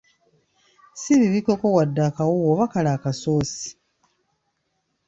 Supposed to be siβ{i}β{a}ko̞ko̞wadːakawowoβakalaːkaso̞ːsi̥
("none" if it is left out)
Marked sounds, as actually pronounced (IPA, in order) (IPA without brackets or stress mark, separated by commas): i, i